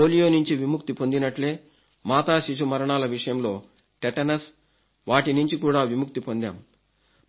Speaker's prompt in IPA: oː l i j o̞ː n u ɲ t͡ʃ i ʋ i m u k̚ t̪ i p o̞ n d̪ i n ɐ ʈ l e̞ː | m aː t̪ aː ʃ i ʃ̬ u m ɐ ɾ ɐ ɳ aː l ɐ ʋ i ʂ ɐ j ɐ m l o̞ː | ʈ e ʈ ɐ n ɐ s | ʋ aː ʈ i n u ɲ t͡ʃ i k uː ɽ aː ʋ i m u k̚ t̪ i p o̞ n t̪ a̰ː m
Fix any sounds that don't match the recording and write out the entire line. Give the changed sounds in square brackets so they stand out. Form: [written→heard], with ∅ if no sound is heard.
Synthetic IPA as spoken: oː l i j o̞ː n u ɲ t͡ʃ i ʋ i m u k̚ t̪ i p o̞ n d̪ i n ɐ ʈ l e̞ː | m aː t̪ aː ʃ i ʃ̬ u m ɐ ɾ ɐ ɳ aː l ɐ ʋ i ʂ ɐ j ɐ m l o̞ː | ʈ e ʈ ɐ n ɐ s | ʋ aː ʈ i n u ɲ t͡ʃ i k uː ɽ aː ʋ i m u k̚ t̪ i p o̞ n [t̪→d̪] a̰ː m